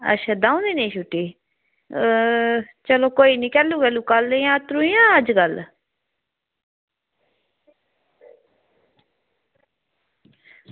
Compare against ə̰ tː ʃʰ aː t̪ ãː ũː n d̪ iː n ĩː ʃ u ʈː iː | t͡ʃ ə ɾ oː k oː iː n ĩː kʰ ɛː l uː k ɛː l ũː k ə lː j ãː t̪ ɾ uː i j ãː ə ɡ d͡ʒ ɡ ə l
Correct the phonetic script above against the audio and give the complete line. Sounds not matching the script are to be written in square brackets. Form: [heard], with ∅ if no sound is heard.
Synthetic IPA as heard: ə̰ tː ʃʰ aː [d̪] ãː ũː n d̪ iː n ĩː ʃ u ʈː iː | t͡ʃ ə [l] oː k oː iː n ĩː [k] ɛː l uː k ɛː l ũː k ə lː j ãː t̪ ɾ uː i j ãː ə [∅] d͡ʒ ɡ ə l

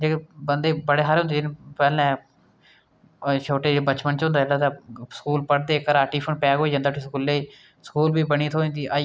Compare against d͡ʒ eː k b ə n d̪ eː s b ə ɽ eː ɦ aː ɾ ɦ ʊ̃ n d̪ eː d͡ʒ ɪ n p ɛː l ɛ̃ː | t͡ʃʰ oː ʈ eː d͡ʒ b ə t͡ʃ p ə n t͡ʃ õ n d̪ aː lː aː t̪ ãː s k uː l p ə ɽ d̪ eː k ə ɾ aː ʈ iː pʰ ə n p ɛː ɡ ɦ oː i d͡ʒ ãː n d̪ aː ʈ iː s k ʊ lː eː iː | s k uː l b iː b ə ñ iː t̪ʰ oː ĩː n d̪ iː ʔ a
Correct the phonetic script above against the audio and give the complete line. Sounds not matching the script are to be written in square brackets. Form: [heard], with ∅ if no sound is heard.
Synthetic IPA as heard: d͡ʒ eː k b ə n d̪ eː [∅] b ə ɽ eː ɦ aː ɾ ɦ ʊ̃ n d̪ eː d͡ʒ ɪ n p ɛː l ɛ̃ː | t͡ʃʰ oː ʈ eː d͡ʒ b ə t͡ʃ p ə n t͡ʃ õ n d̪ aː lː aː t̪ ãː s k uː l p ə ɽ d̪ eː k ə ɾ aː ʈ iː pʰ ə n p ɛː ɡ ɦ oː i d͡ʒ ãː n d̪ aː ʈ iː s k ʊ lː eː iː | s k uː l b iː b ə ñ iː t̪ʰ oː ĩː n d̪ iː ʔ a

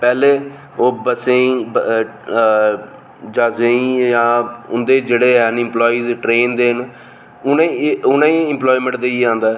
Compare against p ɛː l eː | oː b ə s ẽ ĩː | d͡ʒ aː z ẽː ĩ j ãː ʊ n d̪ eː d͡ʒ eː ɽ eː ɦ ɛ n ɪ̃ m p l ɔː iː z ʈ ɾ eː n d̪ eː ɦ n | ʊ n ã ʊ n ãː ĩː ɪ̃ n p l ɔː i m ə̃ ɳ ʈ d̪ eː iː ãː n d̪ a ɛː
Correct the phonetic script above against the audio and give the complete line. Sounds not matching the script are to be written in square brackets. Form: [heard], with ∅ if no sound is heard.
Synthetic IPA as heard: p ɛː l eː | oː b ə s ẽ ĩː | d͡ʒ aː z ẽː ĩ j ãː ʊ n d̪ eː d͡ʒ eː ɽ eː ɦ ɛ n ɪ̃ m p l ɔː iː z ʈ ɾ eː n d̪ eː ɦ n | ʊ n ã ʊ n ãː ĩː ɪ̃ [m] p l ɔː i m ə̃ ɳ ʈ d̪ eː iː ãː n d̪ a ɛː

